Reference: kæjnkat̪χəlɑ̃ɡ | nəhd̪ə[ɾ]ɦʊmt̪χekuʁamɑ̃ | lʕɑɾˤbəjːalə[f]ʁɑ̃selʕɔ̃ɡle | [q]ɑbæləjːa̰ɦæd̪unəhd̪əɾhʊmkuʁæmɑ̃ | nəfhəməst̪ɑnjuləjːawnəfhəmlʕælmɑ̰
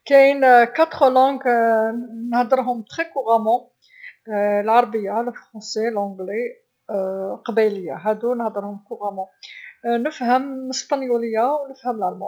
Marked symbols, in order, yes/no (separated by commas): yes, yes, yes